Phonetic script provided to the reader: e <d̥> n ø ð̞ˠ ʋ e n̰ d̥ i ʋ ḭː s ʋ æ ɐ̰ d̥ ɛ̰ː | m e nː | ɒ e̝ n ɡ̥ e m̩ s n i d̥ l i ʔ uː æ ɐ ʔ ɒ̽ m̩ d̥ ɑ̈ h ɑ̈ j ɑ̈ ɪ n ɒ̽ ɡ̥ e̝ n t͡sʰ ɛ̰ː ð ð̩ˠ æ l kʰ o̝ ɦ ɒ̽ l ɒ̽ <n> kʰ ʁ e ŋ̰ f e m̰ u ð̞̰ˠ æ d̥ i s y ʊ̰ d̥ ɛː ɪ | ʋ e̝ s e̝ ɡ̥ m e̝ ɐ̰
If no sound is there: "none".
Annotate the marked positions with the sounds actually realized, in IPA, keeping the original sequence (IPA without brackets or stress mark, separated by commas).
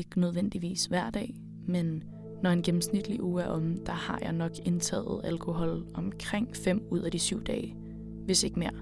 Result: ɡ̥, m